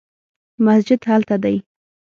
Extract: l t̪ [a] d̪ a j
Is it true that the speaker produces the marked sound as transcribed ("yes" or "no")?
yes